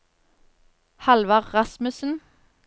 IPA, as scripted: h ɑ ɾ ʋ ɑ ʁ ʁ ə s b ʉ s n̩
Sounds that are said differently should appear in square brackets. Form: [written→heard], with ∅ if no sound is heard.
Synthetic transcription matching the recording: h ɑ [ɾ→l] ʋ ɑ ʁ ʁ [ə→ɑ] s [b→m] ʉ s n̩